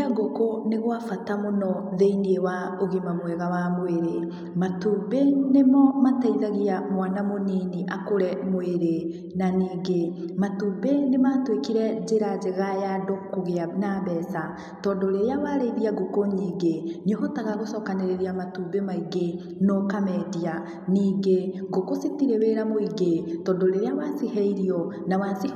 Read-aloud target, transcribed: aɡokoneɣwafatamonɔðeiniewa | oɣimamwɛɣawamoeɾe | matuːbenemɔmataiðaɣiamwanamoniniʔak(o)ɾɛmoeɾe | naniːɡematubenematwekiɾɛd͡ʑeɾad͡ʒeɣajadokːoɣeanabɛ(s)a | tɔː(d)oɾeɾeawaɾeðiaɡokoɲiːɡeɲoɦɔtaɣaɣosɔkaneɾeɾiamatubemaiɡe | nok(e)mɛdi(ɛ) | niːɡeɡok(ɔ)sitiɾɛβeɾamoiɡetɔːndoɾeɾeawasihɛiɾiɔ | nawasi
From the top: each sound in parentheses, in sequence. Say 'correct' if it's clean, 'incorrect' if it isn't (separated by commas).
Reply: correct, correct, correct, incorrect, incorrect, incorrect